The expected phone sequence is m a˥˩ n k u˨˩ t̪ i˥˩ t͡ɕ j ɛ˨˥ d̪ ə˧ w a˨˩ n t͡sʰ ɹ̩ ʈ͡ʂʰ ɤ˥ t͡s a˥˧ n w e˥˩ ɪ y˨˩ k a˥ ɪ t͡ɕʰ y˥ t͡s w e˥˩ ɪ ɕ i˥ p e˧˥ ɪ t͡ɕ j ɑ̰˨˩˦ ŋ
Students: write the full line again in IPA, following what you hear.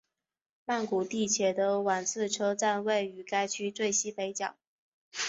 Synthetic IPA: m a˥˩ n k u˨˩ t̪ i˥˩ t͡ɕʰ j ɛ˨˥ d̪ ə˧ w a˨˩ n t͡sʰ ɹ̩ ʈ͡ʂʰ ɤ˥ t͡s a˥˧ n w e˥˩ ɪ y˨˩ k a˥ ɪ t͡ɕʰ y˥ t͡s w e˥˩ ɪ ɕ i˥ p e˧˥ ɪ t͡ɕ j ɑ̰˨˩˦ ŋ